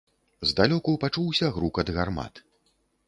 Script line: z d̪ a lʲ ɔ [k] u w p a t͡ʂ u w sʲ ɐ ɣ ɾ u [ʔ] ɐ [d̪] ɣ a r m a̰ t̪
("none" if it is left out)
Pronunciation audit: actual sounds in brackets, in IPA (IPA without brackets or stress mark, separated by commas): k, k, d̪